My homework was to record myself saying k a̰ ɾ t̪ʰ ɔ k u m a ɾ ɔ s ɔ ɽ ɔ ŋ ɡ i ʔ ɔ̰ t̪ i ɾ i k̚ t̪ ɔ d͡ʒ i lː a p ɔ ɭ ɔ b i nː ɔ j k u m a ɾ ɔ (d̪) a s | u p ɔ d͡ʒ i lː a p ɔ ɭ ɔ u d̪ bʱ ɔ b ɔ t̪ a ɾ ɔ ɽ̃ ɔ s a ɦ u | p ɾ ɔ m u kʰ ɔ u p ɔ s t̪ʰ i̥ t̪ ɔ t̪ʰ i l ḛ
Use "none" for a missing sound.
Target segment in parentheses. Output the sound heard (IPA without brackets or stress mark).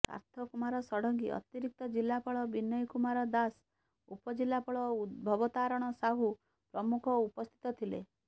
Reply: d̪